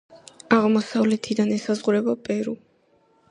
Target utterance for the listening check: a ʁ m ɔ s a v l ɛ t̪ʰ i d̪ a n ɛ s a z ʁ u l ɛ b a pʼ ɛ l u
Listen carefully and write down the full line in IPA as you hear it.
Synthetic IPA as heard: a ʁ m ɔ s a v l ɛ t̪ʰ i d̪ a n ɛ s a z ʁ u ɾ ɛ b a pʼ ɛ ɾ u